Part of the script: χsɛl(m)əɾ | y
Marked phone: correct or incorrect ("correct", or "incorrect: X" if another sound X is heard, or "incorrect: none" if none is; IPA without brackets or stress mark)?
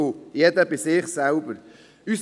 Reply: incorrect: b